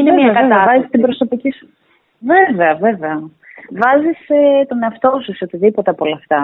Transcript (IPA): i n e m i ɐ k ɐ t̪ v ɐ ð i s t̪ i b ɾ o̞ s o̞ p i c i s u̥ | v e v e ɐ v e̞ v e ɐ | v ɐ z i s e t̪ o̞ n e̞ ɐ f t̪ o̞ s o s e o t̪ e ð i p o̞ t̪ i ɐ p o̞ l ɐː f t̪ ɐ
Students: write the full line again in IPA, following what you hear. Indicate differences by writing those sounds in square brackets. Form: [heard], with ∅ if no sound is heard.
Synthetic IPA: i n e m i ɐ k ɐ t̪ v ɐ [z] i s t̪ i b ɾ o̞ s o̞ p i c i s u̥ | v e v e ɐ v e̞ v e ɐ | v ɐ z i s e t̪ o̞ n e̞ ɐ f t̪ o̞ s [u] s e o t̪ [i] ð i p o̞ t̪ [e] ɐ p o̞ l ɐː f t̪ ɐ